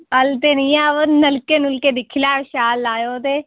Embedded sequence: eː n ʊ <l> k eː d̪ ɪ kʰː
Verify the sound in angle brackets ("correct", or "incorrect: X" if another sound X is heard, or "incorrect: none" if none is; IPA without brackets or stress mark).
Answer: correct